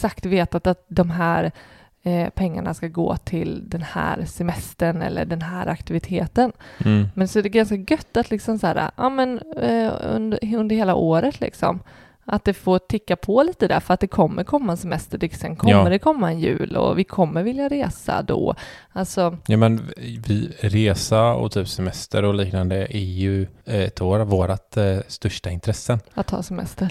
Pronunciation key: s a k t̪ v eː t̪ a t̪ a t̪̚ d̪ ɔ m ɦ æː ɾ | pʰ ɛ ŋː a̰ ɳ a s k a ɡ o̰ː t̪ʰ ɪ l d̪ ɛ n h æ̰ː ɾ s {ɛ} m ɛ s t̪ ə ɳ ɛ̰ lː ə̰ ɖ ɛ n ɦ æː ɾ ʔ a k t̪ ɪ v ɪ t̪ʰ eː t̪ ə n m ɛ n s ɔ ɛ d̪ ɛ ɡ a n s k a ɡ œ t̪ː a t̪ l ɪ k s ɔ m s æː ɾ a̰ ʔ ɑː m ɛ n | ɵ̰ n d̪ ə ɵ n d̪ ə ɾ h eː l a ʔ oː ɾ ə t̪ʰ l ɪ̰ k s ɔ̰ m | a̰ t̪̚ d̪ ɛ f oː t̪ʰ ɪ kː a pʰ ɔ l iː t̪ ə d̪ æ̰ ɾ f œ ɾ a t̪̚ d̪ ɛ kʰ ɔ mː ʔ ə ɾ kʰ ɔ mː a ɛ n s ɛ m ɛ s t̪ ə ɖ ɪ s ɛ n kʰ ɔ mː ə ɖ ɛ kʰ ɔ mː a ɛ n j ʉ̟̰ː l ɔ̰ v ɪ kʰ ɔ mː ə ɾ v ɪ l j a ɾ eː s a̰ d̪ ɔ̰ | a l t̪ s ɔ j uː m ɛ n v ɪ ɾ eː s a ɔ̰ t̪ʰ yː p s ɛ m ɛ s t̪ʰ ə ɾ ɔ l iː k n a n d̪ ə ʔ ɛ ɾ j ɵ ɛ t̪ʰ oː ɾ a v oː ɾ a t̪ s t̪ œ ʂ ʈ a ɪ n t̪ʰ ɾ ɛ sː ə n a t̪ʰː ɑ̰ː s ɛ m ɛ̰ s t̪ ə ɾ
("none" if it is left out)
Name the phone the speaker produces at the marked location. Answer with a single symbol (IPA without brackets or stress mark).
ɛ